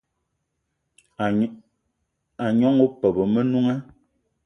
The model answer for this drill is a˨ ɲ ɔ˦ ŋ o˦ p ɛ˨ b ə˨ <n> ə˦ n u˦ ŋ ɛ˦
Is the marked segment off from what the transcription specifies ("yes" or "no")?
yes